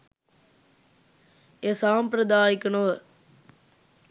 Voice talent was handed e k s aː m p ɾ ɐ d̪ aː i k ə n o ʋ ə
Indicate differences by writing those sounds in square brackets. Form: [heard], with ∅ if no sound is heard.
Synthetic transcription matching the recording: e [∅] s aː m p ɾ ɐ d̪ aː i k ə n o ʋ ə